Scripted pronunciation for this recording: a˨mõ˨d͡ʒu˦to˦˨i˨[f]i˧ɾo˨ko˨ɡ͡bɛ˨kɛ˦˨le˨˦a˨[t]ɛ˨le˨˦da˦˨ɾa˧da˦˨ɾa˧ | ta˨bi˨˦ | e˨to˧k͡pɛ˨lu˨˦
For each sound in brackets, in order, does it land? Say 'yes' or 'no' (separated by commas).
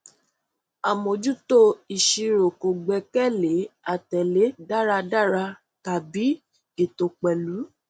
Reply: no, yes